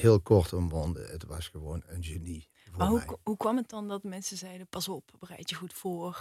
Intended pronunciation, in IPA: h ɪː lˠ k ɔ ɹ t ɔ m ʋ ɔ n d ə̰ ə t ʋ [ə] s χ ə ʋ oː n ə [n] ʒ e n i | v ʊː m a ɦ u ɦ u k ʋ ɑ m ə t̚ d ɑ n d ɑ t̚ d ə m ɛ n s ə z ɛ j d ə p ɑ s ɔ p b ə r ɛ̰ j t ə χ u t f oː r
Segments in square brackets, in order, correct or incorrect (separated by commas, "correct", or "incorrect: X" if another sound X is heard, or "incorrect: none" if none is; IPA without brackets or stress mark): incorrect: ɑ, correct